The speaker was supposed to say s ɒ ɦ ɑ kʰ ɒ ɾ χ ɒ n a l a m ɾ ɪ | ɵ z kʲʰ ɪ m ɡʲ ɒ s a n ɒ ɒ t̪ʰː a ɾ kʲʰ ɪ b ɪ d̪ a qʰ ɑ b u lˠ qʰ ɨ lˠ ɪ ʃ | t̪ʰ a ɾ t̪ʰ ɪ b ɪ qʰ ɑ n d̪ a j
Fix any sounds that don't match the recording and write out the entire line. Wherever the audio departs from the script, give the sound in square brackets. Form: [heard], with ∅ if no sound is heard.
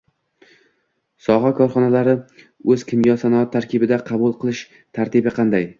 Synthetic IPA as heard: s ɒ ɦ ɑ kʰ ɒ ɾ χ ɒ n a l a [∅] ɾ ɪ | ɵ z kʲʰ ɪ m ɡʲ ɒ s a n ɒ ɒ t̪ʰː a ɾ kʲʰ ɪ b ɪ d̪ a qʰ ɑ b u lˠ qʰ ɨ lˠ ɪ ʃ | t̪ʰ a ɾ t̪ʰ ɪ b ɪ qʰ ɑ n d̪ a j